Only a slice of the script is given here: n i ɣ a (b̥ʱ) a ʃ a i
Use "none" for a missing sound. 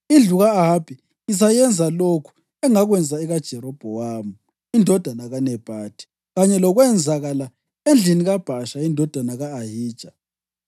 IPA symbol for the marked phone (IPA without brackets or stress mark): b̥ʱ